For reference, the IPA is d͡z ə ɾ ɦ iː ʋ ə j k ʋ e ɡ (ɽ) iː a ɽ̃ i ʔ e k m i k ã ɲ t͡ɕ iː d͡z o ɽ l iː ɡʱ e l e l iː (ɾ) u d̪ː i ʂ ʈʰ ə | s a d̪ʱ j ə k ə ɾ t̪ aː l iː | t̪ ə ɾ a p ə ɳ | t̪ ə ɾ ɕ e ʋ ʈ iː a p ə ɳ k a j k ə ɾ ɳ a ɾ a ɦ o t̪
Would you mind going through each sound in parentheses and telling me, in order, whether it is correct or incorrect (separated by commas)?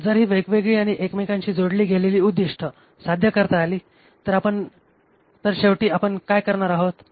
incorrect, incorrect